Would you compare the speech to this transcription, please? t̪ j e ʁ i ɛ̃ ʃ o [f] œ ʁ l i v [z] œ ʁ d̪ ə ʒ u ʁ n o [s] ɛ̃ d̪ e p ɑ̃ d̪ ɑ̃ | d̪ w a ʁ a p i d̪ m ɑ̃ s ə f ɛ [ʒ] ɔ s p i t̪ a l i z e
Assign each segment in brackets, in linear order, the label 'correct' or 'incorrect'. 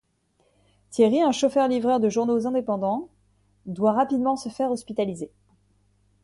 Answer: correct, incorrect: ʁ, incorrect: z, incorrect: ʁ

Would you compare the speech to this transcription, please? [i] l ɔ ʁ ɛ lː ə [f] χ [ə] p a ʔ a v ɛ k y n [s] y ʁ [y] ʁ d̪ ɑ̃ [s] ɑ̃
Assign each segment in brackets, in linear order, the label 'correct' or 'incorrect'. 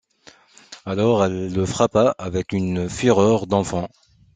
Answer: incorrect: a, correct, incorrect: a, incorrect: f, incorrect: œ, incorrect: f

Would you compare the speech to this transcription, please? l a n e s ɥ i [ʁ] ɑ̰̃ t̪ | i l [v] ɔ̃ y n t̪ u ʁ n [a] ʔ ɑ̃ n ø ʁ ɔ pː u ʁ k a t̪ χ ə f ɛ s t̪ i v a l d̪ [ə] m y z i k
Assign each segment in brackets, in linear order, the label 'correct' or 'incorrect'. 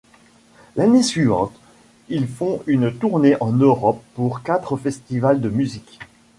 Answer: incorrect: v, incorrect: f, incorrect: e, correct

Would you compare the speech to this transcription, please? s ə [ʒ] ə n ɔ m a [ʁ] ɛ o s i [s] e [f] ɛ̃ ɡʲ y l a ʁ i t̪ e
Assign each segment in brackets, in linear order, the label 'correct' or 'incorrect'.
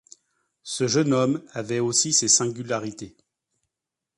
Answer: correct, incorrect: v, correct, incorrect: s

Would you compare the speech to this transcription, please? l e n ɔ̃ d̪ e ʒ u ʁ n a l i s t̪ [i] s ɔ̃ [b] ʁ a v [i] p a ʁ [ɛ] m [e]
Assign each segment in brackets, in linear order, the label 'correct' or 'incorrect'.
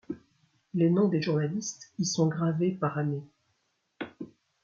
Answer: correct, incorrect: ɡ, incorrect: e, incorrect: a, correct

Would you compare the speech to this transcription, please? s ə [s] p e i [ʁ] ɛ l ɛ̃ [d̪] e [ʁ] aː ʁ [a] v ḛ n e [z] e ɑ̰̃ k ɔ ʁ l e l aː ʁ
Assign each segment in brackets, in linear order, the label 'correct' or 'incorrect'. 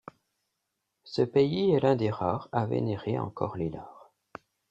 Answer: incorrect: none, incorrect: none, correct, correct, correct, incorrect: ʁ

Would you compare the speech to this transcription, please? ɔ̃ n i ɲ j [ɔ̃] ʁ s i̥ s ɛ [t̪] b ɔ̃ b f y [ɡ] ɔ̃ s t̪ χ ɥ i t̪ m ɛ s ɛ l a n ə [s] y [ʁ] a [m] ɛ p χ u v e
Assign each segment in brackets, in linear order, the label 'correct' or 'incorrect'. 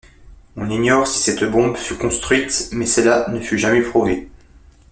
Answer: incorrect: ɔ, correct, incorrect: k, incorrect: f, incorrect: ʒ, correct

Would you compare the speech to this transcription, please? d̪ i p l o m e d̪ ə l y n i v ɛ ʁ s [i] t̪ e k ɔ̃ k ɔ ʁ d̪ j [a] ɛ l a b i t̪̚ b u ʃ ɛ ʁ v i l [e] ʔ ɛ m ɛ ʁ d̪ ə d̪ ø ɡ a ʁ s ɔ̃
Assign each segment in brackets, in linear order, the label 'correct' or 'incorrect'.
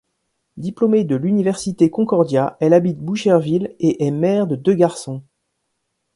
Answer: correct, correct, correct

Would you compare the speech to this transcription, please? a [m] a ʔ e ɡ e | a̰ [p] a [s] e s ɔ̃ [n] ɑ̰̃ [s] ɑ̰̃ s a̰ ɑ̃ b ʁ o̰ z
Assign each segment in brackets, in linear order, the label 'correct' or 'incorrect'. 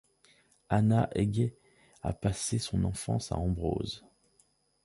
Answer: incorrect: n, correct, correct, correct, incorrect: f

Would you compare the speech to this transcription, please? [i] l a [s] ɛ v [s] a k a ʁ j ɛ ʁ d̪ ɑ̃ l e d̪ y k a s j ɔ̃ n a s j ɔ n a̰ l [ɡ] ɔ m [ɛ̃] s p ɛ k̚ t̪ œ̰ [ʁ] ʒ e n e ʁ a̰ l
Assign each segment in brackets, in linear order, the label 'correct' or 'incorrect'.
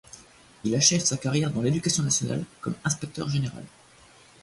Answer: correct, incorrect: ʃ, correct, incorrect: k, correct, correct

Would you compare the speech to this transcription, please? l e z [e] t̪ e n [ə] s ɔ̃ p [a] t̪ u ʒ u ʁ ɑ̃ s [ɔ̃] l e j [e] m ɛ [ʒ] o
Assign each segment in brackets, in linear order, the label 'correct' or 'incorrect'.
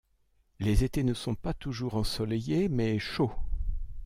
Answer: correct, correct, correct, incorrect: ɔ, correct, incorrect: ʃ

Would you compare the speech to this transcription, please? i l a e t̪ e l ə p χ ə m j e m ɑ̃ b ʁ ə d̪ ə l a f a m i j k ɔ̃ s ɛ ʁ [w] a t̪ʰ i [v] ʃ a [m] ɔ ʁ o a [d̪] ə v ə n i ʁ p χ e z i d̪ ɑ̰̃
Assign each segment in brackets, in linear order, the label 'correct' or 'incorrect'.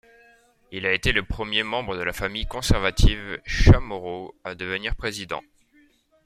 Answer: incorrect: v, correct, correct, correct

